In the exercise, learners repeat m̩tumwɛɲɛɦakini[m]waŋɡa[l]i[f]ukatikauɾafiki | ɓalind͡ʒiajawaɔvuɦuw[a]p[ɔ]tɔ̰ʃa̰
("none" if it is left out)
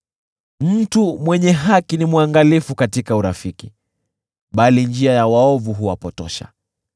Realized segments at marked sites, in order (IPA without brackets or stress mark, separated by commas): m, l, f, a, ɔ